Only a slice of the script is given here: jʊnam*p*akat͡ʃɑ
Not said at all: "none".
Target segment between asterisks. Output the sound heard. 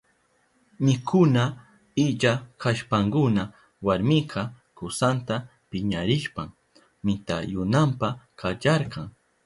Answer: p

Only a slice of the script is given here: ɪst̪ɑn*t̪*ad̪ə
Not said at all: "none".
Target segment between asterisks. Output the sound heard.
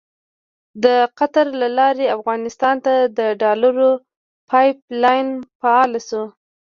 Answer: t̪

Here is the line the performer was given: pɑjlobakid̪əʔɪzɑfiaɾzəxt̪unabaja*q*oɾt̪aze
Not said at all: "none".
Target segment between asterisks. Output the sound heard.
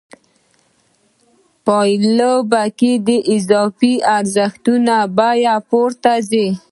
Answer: p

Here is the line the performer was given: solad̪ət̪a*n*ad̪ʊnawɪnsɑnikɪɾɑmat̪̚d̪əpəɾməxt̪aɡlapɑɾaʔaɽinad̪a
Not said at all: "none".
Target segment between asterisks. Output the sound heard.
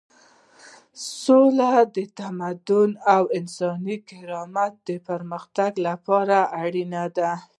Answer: m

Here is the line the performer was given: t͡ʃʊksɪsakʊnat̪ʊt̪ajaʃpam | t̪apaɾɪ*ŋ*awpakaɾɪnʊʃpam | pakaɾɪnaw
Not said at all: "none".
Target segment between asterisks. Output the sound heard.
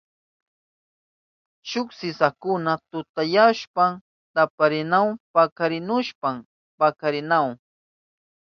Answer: n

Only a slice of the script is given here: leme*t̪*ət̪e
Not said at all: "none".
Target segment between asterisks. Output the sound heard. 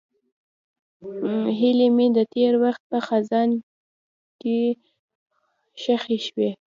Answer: d̪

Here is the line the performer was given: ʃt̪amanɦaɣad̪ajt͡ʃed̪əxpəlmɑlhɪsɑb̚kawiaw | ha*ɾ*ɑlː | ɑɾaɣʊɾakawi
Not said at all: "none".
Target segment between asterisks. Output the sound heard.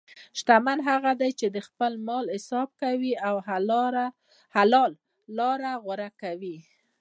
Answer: l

